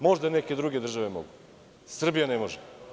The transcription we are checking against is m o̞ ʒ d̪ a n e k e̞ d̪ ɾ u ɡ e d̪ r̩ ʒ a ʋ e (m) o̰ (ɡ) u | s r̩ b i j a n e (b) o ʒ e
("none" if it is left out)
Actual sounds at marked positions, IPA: m, ɡ, m

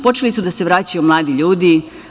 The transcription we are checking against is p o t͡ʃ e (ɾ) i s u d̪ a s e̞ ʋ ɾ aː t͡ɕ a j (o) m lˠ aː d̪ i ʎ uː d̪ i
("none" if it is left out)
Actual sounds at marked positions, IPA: l, u

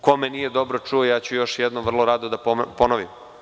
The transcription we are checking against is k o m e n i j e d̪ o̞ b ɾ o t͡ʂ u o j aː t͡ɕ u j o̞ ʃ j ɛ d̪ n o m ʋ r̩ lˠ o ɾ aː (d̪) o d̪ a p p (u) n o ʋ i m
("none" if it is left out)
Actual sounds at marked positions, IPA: d̪, o

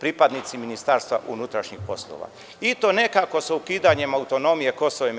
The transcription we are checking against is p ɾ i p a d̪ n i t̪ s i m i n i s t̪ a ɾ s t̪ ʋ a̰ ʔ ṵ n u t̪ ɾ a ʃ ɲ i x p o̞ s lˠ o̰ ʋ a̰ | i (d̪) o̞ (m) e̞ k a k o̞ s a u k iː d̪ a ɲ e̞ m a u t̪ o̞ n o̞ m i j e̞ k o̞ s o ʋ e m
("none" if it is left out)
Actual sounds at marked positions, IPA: t̪, n

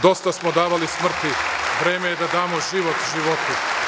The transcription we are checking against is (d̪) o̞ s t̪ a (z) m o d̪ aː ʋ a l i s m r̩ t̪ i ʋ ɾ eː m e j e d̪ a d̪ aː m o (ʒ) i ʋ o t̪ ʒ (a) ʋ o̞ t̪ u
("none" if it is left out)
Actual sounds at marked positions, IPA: d̪, s, ʒ, i

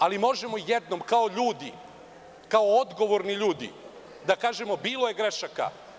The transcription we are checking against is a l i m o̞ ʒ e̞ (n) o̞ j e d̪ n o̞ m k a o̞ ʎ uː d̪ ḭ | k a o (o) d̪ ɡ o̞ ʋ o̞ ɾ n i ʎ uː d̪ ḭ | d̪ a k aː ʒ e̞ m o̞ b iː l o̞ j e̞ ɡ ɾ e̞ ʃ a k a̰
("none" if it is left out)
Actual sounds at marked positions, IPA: m, o

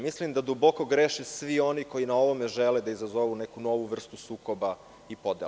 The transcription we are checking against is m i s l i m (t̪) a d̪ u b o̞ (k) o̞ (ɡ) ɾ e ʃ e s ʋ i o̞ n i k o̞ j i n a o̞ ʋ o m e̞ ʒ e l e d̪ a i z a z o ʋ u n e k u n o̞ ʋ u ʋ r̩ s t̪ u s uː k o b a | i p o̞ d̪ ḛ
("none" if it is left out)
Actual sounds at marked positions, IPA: d̪, k, ɡ

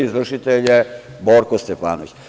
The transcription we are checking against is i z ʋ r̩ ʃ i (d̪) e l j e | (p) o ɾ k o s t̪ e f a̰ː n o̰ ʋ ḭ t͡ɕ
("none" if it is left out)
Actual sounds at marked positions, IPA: t̪, b

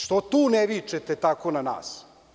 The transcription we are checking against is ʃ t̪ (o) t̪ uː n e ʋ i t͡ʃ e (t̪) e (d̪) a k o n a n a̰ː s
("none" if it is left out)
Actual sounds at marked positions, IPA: o, t̪, t̪

